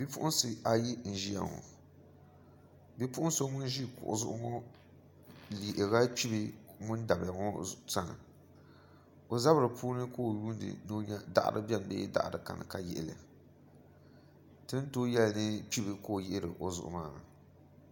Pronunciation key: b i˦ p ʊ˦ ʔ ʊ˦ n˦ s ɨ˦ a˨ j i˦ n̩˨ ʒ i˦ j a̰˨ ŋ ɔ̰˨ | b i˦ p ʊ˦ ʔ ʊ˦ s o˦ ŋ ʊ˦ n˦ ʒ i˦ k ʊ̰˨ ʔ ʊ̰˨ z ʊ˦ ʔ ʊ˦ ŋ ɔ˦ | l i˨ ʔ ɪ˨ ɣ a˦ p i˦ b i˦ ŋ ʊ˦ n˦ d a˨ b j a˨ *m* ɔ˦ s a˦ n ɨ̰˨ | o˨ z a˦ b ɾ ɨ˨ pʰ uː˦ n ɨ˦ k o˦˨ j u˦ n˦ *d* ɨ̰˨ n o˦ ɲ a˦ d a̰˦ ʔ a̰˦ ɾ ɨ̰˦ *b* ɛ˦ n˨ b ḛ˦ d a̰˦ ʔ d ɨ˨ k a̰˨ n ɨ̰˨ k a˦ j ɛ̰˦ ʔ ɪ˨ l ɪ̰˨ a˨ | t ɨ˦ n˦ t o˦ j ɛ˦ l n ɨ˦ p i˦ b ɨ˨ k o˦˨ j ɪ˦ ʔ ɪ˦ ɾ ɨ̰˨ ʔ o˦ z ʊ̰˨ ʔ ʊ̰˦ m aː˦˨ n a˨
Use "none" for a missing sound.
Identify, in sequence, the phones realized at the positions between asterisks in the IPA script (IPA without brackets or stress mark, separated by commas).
ŋ, d, b